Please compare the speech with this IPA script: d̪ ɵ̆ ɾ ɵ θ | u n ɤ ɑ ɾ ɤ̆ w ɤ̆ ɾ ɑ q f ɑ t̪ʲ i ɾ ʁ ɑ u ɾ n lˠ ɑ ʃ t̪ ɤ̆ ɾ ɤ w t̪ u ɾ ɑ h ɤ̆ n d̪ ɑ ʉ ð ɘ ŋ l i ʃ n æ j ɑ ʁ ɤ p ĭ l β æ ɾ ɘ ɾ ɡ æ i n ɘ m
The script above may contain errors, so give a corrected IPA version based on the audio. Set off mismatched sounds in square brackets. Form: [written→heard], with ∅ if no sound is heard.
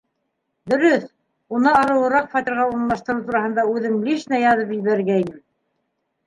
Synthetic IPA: d̪ ɵ̆ ɾ ɵ θ | u n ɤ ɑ ɾ ɤ̆ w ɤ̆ ɾ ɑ q f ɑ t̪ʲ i ɾ ʁ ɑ u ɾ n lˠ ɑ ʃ t̪ ɤ̆ ɾ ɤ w t̪ u ɾ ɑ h ɤ̆ n d̪ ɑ ʉ ð ɘ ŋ l i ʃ n æ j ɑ [ʁ→ð] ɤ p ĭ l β æ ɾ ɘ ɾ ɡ æ i n ɘ m